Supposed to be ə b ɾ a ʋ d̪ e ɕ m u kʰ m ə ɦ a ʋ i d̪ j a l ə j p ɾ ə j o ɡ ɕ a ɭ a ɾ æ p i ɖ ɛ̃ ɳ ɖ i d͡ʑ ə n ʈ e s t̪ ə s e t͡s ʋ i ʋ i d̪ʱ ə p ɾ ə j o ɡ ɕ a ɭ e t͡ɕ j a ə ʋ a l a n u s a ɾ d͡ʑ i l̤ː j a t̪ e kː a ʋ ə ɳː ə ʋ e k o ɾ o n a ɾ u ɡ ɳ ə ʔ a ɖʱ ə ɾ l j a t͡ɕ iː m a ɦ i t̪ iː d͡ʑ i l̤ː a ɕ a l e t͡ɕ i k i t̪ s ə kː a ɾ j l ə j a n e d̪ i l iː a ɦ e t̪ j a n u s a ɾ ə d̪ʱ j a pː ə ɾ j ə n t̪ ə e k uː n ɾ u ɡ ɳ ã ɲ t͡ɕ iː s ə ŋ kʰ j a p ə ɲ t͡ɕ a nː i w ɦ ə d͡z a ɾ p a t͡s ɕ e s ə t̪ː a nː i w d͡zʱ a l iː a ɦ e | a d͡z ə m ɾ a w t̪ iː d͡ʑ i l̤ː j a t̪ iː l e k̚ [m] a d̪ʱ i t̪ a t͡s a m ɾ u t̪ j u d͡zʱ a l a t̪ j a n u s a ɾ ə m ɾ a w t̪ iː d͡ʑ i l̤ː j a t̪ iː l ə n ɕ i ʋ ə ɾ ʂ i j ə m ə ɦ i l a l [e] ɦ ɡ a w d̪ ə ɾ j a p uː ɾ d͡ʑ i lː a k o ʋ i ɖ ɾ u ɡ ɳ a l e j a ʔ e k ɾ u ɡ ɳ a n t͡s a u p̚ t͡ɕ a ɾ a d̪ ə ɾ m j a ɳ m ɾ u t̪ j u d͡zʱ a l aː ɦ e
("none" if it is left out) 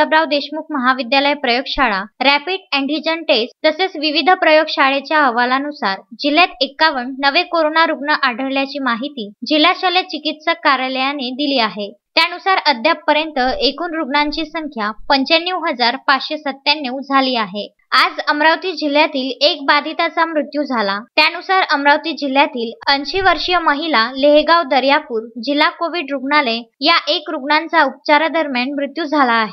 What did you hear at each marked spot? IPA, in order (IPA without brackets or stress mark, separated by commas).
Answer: b, e